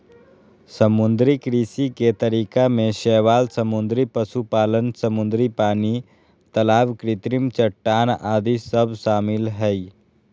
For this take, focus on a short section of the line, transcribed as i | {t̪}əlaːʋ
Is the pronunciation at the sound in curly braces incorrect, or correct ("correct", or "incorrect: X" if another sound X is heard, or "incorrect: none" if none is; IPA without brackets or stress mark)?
correct